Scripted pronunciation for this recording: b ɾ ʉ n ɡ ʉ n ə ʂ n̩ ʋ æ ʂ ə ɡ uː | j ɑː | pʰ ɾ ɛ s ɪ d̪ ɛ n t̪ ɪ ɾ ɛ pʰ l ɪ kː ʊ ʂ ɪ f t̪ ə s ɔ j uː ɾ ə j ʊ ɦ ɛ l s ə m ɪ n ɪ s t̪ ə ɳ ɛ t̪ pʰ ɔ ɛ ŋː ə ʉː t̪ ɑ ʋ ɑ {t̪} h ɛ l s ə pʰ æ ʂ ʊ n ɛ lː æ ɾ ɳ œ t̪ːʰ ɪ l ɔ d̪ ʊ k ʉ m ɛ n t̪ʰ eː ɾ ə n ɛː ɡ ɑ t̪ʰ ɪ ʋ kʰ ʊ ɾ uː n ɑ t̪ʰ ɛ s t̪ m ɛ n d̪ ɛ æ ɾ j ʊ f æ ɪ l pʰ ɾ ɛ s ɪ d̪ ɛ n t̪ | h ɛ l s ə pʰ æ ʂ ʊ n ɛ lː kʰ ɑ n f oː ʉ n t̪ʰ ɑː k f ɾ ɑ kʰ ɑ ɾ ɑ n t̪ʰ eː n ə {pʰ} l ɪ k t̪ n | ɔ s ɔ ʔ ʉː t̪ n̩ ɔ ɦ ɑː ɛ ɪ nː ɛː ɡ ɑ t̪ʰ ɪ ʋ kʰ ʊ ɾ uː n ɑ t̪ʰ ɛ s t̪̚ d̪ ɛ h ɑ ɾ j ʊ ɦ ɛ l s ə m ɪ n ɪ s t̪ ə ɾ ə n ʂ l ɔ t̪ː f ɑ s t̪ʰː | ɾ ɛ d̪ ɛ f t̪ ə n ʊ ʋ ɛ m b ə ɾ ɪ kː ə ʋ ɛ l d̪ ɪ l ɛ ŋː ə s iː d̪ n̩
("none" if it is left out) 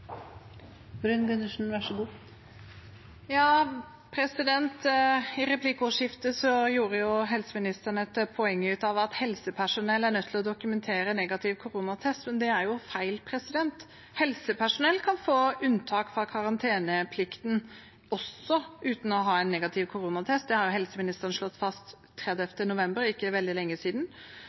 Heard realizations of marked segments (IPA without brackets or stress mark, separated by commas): t̪, pʰ